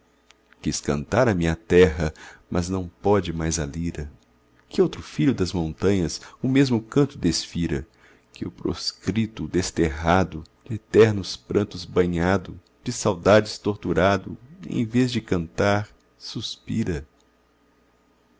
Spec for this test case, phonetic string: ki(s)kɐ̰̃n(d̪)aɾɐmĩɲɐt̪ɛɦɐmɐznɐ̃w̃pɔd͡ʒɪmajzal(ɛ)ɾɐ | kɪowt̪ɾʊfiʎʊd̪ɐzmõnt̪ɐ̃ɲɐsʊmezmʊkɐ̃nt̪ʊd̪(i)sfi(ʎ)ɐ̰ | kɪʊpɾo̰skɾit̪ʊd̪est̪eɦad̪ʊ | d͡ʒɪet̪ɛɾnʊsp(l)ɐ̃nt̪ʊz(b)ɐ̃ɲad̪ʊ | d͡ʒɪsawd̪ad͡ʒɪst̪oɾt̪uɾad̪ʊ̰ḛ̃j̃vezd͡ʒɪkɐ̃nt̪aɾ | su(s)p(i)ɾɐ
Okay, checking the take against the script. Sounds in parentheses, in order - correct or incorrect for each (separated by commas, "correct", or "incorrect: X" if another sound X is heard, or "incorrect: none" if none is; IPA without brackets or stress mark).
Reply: correct, incorrect: t̪, incorrect: i, incorrect: e, incorrect: ɾ, incorrect: ɾ, correct, correct, correct